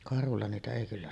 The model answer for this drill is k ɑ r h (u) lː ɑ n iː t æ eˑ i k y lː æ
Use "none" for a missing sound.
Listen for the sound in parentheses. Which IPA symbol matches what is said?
u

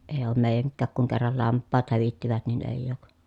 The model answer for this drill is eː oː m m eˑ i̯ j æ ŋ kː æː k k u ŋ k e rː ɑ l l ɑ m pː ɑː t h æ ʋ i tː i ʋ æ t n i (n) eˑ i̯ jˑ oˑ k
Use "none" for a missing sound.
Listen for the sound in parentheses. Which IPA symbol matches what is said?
n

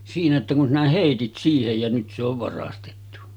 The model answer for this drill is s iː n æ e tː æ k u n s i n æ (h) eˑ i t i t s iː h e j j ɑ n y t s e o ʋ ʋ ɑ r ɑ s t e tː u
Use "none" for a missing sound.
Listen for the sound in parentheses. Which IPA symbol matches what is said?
h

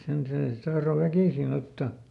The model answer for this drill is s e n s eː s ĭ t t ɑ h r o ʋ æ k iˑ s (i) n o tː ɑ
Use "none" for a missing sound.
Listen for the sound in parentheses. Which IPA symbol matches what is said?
i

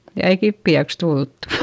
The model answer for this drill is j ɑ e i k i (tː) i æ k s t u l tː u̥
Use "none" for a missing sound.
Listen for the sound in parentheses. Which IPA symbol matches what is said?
pː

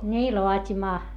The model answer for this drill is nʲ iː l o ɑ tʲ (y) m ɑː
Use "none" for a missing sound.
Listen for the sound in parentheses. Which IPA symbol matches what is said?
i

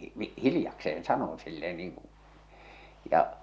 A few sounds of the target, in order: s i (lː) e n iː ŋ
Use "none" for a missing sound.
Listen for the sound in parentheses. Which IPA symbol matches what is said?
lː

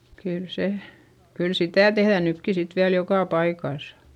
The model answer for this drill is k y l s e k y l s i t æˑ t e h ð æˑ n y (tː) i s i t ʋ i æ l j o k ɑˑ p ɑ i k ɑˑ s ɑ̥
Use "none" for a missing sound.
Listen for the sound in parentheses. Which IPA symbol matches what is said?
kː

